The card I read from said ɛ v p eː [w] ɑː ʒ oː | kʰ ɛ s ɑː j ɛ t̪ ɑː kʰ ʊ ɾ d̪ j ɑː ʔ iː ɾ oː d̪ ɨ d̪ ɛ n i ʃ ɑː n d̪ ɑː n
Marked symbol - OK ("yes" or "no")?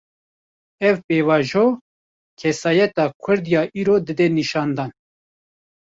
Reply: no